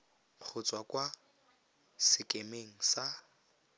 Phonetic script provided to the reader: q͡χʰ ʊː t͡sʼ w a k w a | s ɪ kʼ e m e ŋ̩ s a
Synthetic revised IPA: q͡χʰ ʊ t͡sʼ w a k w a | s ɪ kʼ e m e ŋ̩ s a